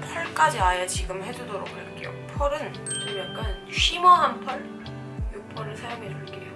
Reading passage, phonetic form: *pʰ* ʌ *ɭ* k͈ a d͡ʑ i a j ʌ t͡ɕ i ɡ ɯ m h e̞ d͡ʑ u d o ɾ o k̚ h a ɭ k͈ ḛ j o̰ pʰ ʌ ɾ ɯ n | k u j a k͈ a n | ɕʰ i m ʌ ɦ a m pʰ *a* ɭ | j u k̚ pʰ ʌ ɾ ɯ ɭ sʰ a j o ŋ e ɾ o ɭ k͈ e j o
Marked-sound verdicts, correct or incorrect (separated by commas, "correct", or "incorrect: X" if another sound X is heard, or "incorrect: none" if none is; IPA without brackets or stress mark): correct, correct, incorrect: ʌ